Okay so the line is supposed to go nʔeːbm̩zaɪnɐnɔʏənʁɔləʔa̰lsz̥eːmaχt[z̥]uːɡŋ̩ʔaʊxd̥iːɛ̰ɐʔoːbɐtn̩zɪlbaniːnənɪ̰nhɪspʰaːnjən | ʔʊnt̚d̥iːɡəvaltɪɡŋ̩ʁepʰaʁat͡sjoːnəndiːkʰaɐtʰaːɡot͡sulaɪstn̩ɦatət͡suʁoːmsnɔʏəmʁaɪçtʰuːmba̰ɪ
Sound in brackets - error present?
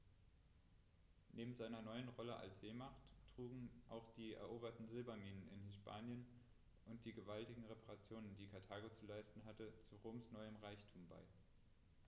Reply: yes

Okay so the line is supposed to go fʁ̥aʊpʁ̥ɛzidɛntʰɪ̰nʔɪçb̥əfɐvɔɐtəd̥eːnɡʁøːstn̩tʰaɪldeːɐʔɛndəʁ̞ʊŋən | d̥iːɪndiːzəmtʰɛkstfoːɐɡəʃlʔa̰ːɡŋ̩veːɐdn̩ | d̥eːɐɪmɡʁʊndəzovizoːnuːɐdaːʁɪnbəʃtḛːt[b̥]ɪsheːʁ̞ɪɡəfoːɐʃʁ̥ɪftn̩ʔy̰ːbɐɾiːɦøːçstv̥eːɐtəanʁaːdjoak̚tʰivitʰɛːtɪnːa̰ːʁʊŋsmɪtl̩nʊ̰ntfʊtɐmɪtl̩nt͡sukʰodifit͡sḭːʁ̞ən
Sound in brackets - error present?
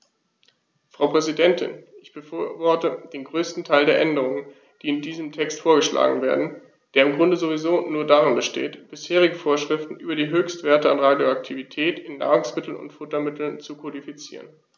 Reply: no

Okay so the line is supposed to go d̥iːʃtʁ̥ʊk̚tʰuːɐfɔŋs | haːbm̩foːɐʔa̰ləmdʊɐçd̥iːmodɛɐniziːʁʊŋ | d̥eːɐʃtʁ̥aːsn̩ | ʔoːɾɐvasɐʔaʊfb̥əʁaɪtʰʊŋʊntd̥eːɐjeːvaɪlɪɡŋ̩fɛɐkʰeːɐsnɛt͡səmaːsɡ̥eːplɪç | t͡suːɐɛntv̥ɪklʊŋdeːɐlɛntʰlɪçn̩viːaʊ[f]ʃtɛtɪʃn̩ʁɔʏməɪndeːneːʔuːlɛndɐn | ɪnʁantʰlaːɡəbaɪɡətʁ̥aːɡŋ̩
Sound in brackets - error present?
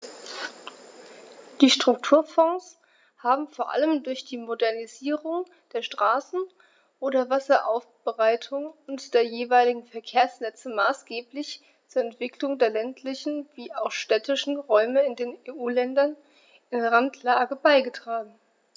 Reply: yes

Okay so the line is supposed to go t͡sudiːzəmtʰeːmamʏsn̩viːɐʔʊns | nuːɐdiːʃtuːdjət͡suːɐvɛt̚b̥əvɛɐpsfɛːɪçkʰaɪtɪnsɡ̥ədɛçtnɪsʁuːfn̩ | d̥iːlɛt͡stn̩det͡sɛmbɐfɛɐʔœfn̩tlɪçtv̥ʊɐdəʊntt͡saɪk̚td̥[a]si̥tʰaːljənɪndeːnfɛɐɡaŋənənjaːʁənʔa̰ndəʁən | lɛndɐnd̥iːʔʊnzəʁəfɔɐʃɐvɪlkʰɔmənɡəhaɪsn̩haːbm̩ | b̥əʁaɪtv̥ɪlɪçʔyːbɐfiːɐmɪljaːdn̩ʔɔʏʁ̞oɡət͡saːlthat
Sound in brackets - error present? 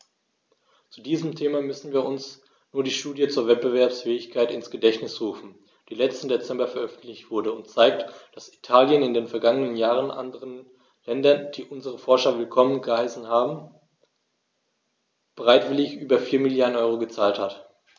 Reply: no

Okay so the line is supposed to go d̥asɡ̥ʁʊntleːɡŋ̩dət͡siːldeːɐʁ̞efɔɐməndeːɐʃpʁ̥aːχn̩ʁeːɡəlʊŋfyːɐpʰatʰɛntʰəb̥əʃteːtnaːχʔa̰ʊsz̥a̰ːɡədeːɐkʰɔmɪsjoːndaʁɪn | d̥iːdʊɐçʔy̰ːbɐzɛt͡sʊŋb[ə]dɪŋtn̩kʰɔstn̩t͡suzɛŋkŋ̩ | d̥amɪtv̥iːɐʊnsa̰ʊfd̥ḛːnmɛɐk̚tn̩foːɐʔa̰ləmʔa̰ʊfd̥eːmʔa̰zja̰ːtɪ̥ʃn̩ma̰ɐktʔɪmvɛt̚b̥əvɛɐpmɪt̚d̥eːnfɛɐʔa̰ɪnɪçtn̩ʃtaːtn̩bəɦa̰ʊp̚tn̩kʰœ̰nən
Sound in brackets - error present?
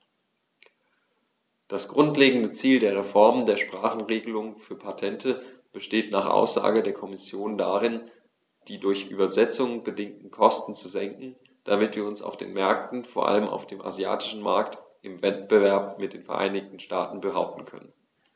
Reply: no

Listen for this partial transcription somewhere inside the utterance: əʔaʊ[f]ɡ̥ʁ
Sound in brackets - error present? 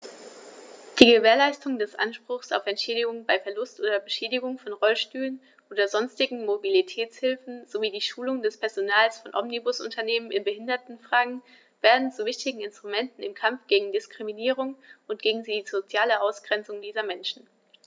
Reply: yes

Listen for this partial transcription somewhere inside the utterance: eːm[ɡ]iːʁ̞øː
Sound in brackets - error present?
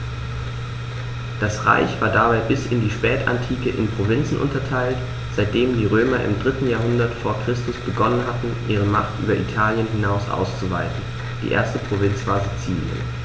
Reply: yes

